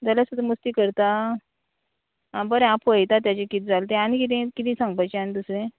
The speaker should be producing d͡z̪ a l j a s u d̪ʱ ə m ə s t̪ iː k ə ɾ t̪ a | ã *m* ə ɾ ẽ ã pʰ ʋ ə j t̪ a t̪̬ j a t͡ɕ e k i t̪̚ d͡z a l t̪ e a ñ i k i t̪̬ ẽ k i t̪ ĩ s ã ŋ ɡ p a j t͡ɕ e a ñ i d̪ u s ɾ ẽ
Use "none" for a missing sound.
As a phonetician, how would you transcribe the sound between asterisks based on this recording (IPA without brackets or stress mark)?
b